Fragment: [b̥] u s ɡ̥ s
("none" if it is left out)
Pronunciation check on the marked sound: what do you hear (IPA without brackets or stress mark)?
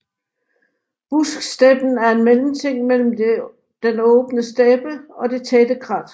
b̥